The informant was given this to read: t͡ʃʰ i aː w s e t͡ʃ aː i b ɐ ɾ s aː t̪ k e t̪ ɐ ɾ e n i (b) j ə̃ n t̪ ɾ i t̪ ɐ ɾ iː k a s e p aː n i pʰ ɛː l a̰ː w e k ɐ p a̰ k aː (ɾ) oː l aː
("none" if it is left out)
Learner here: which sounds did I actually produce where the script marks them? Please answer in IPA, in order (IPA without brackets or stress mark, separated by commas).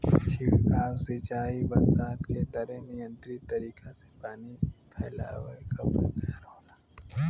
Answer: none, ɾ